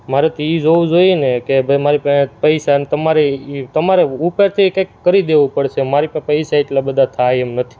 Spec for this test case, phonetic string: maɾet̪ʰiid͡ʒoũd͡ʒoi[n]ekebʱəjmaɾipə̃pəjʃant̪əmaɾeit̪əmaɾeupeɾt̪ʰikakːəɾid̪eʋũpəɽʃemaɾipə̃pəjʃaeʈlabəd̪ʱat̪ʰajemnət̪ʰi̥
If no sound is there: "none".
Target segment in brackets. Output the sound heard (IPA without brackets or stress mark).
n